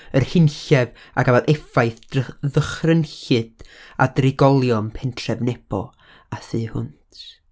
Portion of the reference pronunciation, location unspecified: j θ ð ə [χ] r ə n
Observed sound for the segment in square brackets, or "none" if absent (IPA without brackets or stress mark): χ